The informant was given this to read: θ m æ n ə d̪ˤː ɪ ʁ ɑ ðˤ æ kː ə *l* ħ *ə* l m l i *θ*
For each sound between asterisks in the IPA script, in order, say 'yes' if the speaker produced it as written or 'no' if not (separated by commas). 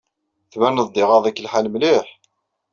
yes, no, no